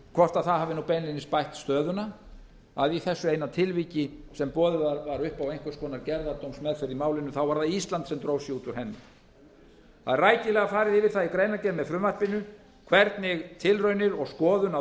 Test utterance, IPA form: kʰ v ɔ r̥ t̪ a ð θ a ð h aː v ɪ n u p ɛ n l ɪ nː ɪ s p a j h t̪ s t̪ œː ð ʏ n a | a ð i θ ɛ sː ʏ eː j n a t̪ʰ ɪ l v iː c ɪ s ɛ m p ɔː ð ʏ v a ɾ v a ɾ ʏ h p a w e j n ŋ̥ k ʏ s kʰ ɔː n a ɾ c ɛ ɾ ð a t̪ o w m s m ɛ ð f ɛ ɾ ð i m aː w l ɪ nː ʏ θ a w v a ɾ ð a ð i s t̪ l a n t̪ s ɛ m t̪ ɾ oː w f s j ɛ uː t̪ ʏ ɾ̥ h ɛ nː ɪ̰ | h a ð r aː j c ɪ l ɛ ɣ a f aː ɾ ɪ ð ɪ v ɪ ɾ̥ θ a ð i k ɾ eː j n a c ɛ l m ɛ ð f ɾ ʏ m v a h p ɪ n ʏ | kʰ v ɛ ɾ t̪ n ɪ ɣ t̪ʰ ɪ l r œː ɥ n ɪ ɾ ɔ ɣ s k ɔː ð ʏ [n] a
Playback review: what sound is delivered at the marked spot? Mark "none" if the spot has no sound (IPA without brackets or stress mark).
n